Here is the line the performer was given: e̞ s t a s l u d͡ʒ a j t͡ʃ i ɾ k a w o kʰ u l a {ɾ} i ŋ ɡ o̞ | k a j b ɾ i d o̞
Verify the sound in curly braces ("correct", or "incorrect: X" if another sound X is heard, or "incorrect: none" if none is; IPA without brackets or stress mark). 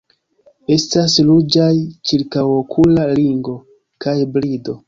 incorrect: l